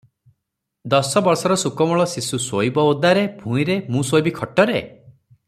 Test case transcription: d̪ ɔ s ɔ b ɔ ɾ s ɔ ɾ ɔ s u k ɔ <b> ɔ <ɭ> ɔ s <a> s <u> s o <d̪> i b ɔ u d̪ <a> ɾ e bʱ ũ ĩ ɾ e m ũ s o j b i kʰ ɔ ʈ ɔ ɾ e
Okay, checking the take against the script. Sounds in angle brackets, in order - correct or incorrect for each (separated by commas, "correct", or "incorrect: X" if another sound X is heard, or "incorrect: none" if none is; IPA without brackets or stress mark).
incorrect: m, correct, incorrect: i, correct, incorrect: none, correct